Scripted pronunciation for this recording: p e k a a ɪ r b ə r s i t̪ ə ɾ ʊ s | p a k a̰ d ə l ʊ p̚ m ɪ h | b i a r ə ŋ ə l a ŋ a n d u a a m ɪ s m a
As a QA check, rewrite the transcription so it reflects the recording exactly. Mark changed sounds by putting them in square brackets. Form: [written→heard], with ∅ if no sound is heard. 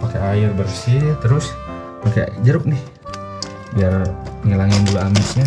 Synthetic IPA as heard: p [e→a] k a a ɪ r b ə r s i t̪ ə ɾ ʊ s | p a k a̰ [d→d͡ʒ] ə [l→ɾ] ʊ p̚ [m→n] ɪ h | b i a r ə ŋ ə l a ŋ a n d u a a m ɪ s [m→ɲ] a

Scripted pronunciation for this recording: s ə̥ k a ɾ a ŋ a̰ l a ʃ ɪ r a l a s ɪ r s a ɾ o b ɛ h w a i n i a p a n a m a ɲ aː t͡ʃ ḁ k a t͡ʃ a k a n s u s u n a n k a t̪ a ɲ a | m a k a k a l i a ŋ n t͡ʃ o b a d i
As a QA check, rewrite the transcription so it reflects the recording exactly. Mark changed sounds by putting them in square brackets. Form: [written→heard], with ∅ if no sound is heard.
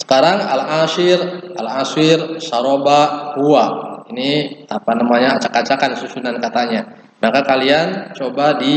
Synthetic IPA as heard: s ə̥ k a ɾ a ŋ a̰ l a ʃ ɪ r a l a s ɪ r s a ɾ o b [ɛ→a] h [w→u] a i n i a p a n a m a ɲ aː t͡ʃ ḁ k a t͡ʃ a k a n s u s u n a n k a t̪ a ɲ a | m a k a k a l i a [ŋ→∅] n t͡ʃ o b a d i

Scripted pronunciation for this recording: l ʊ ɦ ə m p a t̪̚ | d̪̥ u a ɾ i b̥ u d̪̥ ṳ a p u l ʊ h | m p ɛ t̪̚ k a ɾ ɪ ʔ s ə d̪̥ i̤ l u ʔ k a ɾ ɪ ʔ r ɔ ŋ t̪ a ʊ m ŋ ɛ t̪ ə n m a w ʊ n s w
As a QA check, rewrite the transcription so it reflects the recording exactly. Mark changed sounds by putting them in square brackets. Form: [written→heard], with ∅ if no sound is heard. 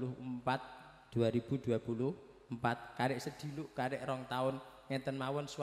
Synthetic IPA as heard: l ʊ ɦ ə m p a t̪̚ | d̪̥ u a ɾ i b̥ u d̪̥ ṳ a p u l ʊ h | m p [ɛ→a] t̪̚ k a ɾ ɪ ʔ s ə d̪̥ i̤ l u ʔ k a ɾ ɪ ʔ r ɔ ŋ t̪ a ʊ [m→n] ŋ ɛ t̪ ə n m a w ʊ n s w

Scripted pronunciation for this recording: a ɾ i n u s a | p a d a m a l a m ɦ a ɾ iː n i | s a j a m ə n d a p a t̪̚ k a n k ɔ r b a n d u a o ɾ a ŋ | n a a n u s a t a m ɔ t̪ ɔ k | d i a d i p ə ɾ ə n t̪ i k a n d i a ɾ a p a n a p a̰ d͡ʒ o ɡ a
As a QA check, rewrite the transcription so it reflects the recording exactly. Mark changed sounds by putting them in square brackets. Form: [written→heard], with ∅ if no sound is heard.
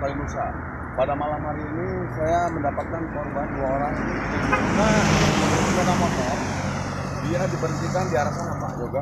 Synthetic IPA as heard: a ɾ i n u s a | p a d a m a l a m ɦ a ɾ iː n i | s a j a m ə n d a p a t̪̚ k a n k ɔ r b a n d u a o ɾ a ŋ | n a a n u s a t a m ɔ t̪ ɔ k | d i a d i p ə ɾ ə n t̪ i k a n d i a ɾ a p a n a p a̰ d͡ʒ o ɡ a

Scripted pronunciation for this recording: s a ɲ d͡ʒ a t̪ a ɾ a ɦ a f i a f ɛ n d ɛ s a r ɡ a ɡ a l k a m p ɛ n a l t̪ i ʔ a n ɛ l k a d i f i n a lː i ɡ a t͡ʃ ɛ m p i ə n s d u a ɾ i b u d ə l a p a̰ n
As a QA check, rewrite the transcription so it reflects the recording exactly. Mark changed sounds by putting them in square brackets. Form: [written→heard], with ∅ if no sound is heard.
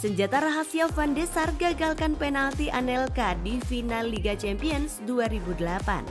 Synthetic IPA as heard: s [a→ə] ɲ d͡ʒ a t̪ a ɾ a ɦ a [f→s] i a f [ɛ→a] n d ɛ s a r ɡ a ɡ a l k a [m→n] p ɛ n a l t̪ i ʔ a n ɛ l k a d i f i n a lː i ɡ a t͡ʃ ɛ m p i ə n s d u a ɾ i b u d ə l a p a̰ n

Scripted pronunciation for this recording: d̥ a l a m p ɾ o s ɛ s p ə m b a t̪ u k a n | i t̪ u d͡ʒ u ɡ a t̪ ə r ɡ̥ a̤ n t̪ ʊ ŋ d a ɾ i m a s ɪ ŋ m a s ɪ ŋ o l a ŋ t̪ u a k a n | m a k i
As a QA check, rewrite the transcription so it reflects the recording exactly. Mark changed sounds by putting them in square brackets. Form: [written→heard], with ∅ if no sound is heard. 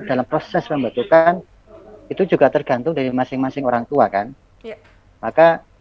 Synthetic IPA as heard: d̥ a l a m p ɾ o s ɛ s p ə m b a t̪ u k a n | i t̪ u d͡ʒ u ɡ a t̪ ə r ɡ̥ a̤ n t̪ ʊ ŋ d a ɾ i m a s ɪ ŋ m a s ɪ ŋ o [l→ɾ] a ŋ t̪ u a k a n | m a k [i→a]

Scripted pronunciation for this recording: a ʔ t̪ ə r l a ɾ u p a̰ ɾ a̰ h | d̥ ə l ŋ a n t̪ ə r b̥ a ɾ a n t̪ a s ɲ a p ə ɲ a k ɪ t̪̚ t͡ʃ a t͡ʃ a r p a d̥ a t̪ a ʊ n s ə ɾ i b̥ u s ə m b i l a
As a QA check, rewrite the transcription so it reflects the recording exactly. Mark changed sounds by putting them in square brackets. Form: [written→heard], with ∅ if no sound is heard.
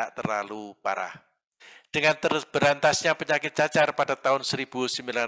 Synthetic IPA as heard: a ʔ t̪ ə r l a [ɾ→l] u p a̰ ɾ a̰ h | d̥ ə [l→∅] ŋ a n t̪ ə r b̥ [a→ə] ɾ a n t̪ a s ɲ a p ə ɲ a k ɪ t̪̚ t͡ʃ a t͡ʃ a r p a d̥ a t̪ a ʊ n s ə ɾ i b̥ u s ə m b i l a

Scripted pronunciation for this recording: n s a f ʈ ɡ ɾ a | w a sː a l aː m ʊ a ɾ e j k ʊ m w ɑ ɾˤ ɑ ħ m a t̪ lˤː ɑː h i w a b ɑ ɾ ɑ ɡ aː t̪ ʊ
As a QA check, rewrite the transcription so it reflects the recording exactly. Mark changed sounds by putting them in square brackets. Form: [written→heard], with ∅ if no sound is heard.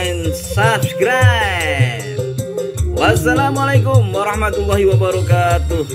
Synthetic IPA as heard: n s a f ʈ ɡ ɾ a | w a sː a l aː m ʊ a [ɾ→l] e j k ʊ m w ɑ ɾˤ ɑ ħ m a t̪ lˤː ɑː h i w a b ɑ ɾ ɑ [ɡ→k] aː t̪ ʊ

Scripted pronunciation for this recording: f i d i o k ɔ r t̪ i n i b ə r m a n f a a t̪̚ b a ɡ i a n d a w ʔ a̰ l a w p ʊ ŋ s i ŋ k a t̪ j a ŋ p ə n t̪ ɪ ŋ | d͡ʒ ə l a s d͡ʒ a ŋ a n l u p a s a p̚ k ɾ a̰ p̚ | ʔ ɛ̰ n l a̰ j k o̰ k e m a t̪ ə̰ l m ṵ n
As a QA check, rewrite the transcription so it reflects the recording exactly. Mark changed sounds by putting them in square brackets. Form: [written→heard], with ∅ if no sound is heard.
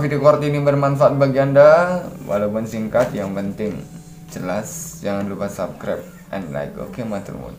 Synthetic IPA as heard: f i d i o k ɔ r t̪ i n i b ə r m a n f a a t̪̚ b a ɡ i a n d a w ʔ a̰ l a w p ʊ [ŋ→n] s i ŋ k a t̪ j a ŋ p ə n t̪ ɪ ŋ | d͡ʒ ə l a s d͡ʒ a ŋ a n l u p a s a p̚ k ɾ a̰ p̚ | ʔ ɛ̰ n l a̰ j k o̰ k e m a t̪ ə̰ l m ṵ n

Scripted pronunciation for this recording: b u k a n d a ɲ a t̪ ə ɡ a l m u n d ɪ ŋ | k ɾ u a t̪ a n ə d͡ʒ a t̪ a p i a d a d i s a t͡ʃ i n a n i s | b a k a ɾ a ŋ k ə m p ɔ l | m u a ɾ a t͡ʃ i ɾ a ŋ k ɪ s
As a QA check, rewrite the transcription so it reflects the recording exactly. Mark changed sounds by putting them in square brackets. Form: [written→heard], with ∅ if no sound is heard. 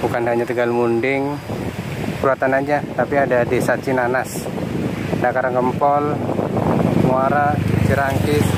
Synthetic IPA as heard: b u k a n d a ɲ a t̪ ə ɡ a l m u n d ɪ ŋ | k ɾ u a t̪ a n [ə→a] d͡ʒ a t̪ a p i a d a d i s a t͡ʃ i n a n [i→a] s | [b→d] a k a ɾ a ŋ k ə m p ɔ l | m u a ɾ a t͡ʃ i ɾ a ŋ k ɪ s

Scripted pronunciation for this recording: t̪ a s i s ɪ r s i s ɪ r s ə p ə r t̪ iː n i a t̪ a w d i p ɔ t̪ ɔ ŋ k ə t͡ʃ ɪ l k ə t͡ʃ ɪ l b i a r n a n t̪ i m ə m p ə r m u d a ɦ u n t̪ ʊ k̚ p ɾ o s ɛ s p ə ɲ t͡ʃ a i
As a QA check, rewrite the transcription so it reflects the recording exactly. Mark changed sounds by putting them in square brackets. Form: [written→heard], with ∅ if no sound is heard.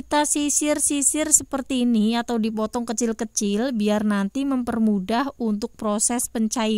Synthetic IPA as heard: t̪ a s i s ɪ r s i s ɪ r s ə p ə r t̪ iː n i a t̪ a w d i p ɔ t̪ ɔ ŋ k ə t͡ʃ ɪ l k ə t͡ʃ ɪ l b i a r n a n t̪ i m ə m p ə r m u d a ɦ u n t̪ ʊ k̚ p ɾ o s ɛ s p ə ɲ t͡ʃ a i

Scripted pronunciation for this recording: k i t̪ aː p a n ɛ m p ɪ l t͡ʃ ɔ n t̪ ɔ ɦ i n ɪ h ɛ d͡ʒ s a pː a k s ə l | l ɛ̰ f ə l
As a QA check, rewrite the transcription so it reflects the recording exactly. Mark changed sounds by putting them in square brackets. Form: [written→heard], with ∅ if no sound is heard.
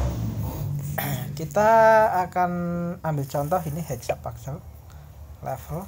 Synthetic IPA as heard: k i t̪ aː [p→k] a n [ɛ→a] m [p→b] ɪ l t͡ʃ ɔ n t̪ ɔ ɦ i n [ɪ→i] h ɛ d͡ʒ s a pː a k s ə l | l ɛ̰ f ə l

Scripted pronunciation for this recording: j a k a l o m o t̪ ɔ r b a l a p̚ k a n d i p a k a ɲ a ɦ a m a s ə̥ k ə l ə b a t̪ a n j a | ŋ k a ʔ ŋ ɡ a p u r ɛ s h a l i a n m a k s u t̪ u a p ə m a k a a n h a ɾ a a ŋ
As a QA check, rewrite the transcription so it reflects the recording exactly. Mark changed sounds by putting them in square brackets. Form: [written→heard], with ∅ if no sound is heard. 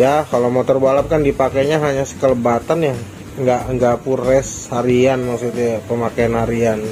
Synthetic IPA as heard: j a k a l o m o t̪ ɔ r b a l a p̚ k a n d i p a k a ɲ a ɦ a [m→ɲ] a s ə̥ k ə l ə b a t̪ a n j a | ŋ [k→ɡ] a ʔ ŋ ɡ a p u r ɛ s h a [l→ɾ] i a n m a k s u t̪ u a p ə m a k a a n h a ɾ [a→i] a [ŋ→n]

